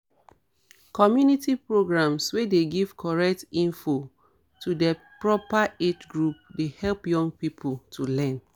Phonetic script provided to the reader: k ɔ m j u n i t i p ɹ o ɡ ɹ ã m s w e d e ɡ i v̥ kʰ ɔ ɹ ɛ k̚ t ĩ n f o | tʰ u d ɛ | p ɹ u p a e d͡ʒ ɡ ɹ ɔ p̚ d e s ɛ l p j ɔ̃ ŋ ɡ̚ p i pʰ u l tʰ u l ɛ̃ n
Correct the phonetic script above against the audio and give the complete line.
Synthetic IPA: k ɔ m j u n i t i p ɹ o ɡ ɹ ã m s w e d e ɡ i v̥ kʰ ɔ ɹ ɛ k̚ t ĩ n f o | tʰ u d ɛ | p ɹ ɔ p a e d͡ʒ ɡ ɹ u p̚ d e h ɛ l p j ɔ̃ ŋ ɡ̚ p i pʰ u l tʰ u l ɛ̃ n